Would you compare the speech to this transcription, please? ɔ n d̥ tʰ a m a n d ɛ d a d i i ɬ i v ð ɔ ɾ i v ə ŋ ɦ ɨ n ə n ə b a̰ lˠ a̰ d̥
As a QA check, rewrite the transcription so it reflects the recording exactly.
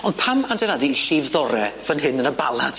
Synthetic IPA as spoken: ɔ n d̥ pʰ a m a n d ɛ n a d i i ɬ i v ð ɔ ɾ ɛ v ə n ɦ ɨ n ə n ə b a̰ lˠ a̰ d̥